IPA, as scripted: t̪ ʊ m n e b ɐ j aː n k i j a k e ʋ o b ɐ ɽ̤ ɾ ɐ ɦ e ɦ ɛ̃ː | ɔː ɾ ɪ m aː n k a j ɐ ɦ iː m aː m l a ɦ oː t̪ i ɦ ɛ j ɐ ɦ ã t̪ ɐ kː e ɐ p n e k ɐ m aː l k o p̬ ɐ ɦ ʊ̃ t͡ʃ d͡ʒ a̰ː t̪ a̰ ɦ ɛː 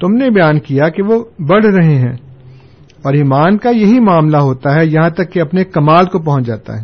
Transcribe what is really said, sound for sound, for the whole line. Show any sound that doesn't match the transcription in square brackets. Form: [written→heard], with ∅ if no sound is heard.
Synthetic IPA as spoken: t̪ ʊ m n e b ɐ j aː n k i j a k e ʋ o b ɐ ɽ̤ ɾ ɐ ɦ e ɦ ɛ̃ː | ɔː ɾ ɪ m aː n k a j ɐ ɦ [iː→i] m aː m l a ɦ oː t̪ [i→a] ɦ ɛ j ɐ ɦ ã t̪ ɐ kː e ɐ p n e k ɐ m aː l k o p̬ ɐ ɦ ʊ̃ t͡ʃ d͡ʒ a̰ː t̪ a̰ ɦ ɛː